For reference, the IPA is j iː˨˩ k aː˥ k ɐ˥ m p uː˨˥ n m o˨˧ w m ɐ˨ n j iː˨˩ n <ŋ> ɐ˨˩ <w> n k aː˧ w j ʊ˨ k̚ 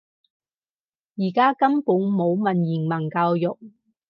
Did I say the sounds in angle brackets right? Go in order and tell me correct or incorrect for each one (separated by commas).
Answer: incorrect, incorrect